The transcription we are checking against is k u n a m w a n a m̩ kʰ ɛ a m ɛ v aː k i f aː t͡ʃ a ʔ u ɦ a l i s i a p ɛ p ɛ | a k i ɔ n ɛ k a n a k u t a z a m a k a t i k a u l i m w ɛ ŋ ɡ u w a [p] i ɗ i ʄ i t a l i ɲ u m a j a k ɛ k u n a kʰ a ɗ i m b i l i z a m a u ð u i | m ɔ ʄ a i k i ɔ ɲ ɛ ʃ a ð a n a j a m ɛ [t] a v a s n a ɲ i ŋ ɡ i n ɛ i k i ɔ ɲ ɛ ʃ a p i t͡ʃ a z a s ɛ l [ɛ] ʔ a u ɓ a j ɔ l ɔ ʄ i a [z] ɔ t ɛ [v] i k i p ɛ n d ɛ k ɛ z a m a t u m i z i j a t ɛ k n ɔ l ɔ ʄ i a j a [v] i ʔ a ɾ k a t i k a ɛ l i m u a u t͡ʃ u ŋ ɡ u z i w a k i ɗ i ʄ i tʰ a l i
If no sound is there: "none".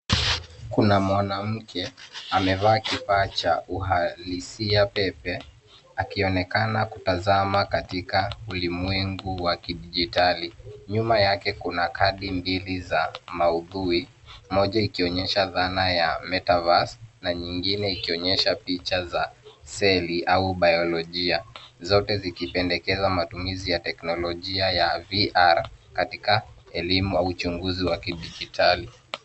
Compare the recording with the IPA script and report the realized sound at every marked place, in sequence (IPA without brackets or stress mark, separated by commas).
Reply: k, t, i, z, z, v